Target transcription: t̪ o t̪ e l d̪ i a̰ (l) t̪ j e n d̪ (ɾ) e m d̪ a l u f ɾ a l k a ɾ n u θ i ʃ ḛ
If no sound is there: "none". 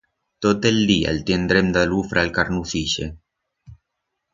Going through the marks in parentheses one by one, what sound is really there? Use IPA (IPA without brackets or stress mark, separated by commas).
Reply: l, ɾ